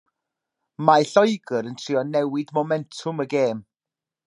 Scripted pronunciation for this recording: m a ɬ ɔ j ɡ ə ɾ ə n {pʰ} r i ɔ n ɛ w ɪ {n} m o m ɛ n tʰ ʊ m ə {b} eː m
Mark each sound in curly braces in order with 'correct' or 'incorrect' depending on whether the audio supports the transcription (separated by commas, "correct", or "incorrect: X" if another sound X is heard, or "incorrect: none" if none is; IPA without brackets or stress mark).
incorrect: tʰ, incorrect: d, incorrect: ɡ